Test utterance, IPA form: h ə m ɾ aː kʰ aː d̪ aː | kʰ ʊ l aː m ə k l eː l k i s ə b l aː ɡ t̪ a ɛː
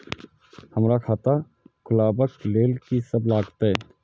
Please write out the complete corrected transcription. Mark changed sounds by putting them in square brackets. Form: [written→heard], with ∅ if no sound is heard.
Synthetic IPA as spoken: h ə m ɾ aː kʰ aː [d̪→t̪] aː | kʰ ʊ l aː [m→b] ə k l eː l k i s ə b l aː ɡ t̪ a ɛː